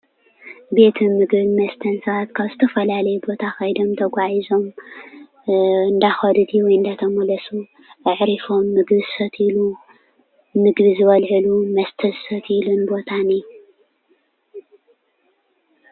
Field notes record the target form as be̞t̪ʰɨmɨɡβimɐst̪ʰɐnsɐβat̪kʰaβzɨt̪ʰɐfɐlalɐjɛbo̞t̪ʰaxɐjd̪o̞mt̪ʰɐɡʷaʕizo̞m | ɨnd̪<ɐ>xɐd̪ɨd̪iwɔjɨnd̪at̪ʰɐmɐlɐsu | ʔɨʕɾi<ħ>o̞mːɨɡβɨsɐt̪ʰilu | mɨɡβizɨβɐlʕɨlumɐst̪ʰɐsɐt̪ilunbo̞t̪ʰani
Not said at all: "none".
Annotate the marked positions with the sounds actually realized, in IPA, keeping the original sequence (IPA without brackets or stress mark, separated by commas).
a, f